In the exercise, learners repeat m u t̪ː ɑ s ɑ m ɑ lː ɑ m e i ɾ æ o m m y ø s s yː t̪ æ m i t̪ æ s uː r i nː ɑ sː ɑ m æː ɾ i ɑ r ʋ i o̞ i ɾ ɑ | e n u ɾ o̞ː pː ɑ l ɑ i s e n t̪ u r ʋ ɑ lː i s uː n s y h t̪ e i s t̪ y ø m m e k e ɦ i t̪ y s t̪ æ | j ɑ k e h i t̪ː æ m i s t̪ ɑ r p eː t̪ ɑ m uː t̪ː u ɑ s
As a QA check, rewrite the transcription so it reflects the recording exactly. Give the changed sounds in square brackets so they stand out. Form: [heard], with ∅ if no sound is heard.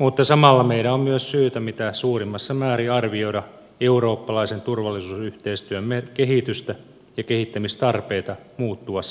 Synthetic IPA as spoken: m u t̪ː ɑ s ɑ m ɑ lː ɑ m e i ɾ æ o m m y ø s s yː t̪ æ m i t̪ æ s uː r i [mː] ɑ sː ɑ m æː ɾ i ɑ r ʋ i o̞ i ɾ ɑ | e [∅] u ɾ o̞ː pː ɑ l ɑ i s e n t̪ u r ʋ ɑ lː i s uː [∅] s y h t̪ e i s t̪ y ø m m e k e ɦ i t̪ y s t̪ æ | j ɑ k e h i t̪ː æ m i s t̪ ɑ r p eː t̪ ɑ m uː t̪ː u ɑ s